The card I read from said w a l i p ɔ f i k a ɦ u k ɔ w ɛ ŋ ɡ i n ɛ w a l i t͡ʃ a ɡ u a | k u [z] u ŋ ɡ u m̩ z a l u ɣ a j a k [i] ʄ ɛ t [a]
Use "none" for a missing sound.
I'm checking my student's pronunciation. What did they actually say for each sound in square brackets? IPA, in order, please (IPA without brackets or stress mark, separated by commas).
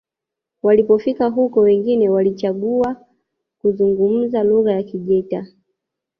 z, i, a